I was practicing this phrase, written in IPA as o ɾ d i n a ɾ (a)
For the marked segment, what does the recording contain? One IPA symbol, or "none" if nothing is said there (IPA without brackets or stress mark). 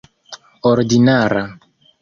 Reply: a